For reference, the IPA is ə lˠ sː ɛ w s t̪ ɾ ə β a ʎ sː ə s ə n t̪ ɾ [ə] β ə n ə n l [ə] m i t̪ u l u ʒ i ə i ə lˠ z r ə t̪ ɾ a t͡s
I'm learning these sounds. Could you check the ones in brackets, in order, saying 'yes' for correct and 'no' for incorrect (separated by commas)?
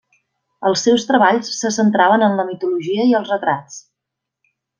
no, yes